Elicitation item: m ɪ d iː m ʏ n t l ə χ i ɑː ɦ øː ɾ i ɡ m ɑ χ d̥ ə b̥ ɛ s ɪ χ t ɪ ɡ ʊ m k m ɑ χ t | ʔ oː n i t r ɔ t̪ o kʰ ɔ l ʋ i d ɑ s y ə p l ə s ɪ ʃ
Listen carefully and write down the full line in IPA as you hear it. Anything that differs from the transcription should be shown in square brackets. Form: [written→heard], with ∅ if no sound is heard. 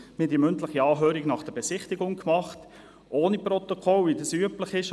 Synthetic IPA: m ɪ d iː m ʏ n t l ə χ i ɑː ɦ øː ɾ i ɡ [m→n] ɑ χ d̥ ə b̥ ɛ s ɪ χ t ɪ ɡ ʊ [m→ŋ] k m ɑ χ t | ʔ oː n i [t→p] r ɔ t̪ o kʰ ɔ l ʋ i d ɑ s y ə p l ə [s→χ] ɪ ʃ